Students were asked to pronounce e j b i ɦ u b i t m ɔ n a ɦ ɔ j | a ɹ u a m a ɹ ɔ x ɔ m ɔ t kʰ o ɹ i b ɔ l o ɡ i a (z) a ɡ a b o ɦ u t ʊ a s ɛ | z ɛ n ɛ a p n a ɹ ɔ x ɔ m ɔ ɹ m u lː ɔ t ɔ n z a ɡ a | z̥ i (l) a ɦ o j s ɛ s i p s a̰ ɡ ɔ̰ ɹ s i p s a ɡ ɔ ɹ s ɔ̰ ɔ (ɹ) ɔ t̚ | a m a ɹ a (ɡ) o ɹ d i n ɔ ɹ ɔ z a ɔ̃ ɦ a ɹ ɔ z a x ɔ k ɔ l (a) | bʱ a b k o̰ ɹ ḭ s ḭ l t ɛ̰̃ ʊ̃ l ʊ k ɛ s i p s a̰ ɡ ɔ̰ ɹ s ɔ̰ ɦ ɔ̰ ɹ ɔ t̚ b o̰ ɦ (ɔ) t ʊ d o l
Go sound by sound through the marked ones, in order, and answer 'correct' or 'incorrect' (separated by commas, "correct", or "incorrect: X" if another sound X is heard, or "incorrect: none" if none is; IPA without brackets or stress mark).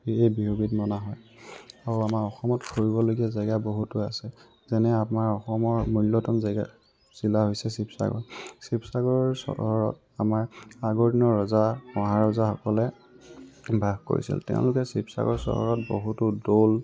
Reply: correct, correct, correct, correct, incorrect: ɛ, incorrect: u